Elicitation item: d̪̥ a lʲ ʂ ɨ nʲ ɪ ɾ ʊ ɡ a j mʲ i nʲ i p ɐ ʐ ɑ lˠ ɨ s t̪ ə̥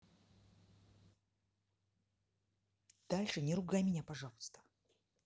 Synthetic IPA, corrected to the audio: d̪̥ a lʲ ʂ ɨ nʲ ɪ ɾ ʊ ɡ a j mʲ ɪ nʲ a p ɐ ʐ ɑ lˠ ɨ s t̪ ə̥